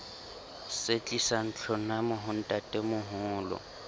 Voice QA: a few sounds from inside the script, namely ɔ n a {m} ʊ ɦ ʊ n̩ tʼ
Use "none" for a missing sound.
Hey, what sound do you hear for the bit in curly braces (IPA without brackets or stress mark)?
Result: m